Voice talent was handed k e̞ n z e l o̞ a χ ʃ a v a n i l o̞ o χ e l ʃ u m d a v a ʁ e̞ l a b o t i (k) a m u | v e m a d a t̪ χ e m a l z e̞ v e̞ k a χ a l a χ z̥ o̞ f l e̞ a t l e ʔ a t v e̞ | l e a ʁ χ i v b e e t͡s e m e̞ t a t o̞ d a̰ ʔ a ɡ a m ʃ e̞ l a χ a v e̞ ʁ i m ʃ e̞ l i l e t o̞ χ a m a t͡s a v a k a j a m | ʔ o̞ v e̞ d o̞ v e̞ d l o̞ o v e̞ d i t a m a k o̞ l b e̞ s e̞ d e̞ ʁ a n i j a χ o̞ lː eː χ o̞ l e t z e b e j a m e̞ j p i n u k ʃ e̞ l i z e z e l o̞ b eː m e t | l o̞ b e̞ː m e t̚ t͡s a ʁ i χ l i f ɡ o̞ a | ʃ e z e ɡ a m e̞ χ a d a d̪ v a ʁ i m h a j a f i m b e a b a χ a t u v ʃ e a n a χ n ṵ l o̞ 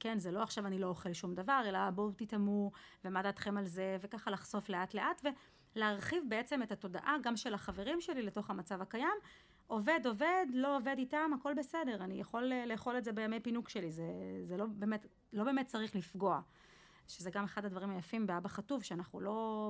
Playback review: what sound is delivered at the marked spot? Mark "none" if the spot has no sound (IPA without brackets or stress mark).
t